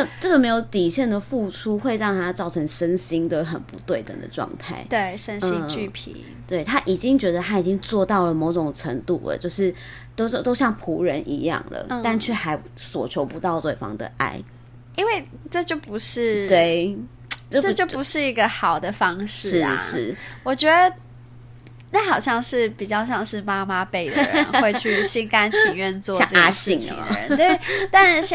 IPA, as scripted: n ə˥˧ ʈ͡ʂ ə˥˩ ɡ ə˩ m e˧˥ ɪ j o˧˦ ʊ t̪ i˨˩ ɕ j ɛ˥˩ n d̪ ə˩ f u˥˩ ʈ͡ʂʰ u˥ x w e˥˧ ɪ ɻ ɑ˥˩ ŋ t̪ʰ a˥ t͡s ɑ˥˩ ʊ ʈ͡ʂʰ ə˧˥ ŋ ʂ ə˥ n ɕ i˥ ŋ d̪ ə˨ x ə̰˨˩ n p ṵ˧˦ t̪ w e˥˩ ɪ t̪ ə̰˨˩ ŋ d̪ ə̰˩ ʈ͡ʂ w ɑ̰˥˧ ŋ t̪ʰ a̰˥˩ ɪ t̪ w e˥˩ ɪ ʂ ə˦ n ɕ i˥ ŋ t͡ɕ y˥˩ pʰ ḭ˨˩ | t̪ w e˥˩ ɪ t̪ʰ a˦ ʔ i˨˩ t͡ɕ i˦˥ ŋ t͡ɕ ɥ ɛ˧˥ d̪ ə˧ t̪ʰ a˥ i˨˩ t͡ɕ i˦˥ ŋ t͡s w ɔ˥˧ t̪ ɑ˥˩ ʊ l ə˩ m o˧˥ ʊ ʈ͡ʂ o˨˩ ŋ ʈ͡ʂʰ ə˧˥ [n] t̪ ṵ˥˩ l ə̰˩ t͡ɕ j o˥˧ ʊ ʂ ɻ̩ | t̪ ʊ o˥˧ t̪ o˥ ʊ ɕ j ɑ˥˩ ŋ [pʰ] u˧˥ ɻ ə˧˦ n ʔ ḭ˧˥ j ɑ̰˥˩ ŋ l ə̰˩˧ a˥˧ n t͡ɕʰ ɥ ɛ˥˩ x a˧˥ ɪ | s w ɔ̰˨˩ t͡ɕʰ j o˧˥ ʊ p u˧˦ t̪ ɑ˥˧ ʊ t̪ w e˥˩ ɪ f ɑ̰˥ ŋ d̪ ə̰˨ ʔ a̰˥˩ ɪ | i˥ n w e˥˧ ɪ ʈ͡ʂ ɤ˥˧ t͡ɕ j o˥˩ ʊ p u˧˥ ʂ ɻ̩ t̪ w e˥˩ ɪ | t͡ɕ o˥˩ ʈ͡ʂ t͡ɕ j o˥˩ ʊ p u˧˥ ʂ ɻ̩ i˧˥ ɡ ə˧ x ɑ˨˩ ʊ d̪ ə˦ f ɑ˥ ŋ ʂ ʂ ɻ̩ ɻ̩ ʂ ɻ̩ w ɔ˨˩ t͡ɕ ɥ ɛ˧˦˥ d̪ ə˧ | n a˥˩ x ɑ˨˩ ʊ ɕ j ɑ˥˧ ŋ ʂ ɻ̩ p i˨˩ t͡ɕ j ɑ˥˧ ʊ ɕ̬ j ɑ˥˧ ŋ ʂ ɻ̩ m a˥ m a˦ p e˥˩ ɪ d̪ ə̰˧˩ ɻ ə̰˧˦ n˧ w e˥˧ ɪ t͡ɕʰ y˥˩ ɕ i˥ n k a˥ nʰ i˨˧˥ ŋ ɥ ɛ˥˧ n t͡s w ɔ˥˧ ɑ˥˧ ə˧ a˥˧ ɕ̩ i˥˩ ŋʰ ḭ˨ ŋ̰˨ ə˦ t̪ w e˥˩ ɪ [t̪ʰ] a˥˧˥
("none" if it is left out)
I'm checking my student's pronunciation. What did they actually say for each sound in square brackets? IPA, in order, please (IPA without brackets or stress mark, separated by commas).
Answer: ŋ, pʰ, t̪